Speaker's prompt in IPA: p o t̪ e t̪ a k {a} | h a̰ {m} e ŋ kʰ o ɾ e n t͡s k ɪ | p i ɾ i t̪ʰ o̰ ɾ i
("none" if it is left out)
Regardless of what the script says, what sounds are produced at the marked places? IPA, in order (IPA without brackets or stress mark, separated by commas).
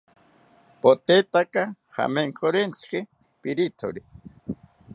a, m